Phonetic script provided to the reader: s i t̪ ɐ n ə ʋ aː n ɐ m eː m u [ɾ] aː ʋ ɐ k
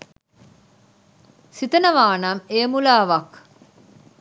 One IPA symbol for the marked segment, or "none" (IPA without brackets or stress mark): l